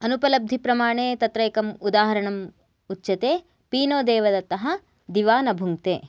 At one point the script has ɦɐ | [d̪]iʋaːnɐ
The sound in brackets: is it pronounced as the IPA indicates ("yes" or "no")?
yes